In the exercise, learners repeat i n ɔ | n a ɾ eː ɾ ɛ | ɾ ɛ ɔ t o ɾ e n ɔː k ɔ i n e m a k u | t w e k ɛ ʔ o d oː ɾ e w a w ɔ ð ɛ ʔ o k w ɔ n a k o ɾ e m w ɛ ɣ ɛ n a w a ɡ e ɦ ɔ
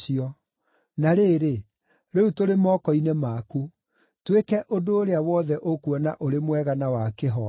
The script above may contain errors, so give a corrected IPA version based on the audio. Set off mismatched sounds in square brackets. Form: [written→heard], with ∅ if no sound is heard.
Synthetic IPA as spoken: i [n→∅] ɔ | n a ɾ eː ɾ [ɛ→e] | ɾ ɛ [ɔ→u] t o ɾ e [n→m] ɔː k ɔ i n e m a k u | t w e k ɛ ʔ o d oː ɾ e [w→∅] a w ɔ ð ɛ ʔ o k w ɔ n a [k→ʔ] o ɾ e m w ɛ ɣ [ɛ→a] n a w a [ɡ→k] e ɦ ɔ

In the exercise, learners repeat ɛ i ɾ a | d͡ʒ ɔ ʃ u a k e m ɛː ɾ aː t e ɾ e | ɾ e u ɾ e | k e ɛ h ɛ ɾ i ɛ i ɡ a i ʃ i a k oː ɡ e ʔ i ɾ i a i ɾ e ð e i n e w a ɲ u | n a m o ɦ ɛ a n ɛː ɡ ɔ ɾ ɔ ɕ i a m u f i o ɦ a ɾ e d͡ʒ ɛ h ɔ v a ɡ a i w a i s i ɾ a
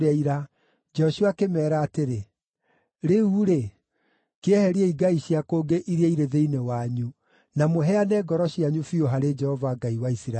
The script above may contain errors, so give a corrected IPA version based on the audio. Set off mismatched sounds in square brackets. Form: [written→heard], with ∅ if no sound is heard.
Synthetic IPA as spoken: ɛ i ɾ a | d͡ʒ ɔ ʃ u a k e m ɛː ɾ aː t e ɾ e | ɾ e u ɾ e | k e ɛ h ɛ ɾ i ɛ i ɡ a i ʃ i a k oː ɡ e ʔ i ɾ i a i ɾ e ð e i n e w a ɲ u | n a m o ɦ ɛ a n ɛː ɡ ɔ ɾ ɔ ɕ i a [m→ɲ] u f i o ɦ a ɾ e d͡ʒ ɛ h ɔ v a ɡ a i w a i s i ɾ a

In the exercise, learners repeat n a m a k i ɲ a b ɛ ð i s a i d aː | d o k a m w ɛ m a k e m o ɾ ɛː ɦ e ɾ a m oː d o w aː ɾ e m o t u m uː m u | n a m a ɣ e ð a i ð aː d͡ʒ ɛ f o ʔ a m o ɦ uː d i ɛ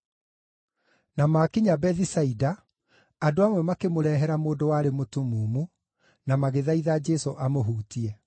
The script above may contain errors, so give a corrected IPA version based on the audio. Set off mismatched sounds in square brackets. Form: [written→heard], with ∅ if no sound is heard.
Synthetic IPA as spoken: n a m a k i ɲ a b ɛ ð i s a i d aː | d o [k→∅] a m w ɛ m a k e m o ɾ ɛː ɦ [e→ɛ] ɾ a m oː d o w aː ɾ e m o t u m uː m u | n a m a ɣ e ð a i ð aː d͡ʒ ɛ [f→s] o ʔ a m o ɦ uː [d→t] i ɛ

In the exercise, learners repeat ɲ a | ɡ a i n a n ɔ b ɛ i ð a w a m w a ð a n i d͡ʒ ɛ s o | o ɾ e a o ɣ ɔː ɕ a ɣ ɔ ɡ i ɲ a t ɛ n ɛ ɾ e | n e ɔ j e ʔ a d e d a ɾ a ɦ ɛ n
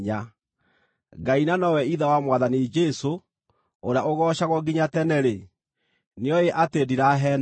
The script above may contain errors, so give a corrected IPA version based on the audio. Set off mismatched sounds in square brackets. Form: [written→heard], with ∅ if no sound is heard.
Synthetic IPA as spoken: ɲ a | ɡ a i n a n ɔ [b→w] ɛ i ð a w a m w a ð a n i d͡ʒ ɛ s o | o ɾ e a o ɣ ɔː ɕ a ɣ ɔ ɡ i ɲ a t ɛ n ɛ ɾ e | n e ɔ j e ʔ a [d→t] e d [a→i] ɾ a ɦ ɛ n

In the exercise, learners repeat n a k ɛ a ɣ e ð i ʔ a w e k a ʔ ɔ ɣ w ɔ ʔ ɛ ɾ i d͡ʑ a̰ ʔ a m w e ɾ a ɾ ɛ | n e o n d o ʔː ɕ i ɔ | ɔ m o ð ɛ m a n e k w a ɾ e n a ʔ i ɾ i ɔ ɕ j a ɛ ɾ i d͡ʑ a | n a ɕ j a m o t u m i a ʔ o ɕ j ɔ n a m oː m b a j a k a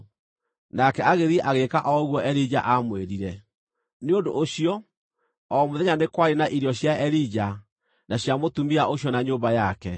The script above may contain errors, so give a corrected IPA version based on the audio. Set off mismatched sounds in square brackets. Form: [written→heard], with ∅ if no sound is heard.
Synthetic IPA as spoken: n a k ɛ a ɣ e ð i ʔ a [w→ɣ] e k a ʔ ɔ ɣ w ɔ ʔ ɛ ɾ i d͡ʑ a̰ ʔ a m w e ɾ [a→i] ɾ ɛ | n e o n d o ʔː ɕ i ɔ | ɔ m o ð ɛ [m→ɲ] a n e k w a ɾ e n a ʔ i ɾ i ɔ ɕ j a ɛ ɾ i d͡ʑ a | n a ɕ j a m o t u m i a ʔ o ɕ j ɔ n a [m→ɲ] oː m b a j a k [a→ɛ]

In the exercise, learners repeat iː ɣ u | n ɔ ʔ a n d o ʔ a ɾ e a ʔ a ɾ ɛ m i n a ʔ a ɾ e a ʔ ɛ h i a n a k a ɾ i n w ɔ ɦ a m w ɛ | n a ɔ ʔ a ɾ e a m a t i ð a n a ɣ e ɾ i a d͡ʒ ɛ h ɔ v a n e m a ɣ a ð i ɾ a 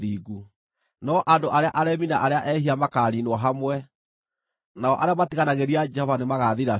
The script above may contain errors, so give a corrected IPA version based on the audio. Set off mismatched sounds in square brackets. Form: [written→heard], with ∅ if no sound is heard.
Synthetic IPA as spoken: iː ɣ u | n ɔ ʔ a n d o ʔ a ɾ e a ʔ a ɾ ɛ m i n a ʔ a ɾ e a ʔ ɛ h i a [n→m] a k a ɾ i n w ɔ ɦ a m w ɛ | n a ɔ ʔ a ɾ e a m a t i [ð→ɣ] a n a ɣ e ɾ i a d͡ʒ ɛ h ɔ v a n e m a ɣ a ð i ɾ a

